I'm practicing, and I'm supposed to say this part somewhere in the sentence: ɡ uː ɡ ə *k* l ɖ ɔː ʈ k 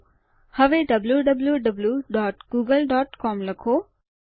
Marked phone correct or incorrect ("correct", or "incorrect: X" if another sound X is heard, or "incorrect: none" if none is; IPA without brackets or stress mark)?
incorrect: none